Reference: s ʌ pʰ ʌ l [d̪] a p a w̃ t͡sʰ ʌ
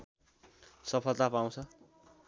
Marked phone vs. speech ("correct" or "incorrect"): incorrect